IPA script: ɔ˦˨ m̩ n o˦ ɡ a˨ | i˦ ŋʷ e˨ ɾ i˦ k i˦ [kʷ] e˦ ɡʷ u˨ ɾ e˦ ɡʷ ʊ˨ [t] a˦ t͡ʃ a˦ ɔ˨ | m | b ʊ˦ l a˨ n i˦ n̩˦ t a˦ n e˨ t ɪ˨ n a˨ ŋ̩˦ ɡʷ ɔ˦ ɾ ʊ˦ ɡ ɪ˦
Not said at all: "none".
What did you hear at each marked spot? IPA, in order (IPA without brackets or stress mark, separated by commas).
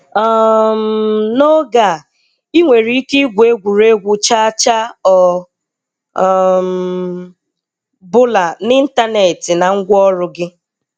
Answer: ɡʷ, t͡ʃ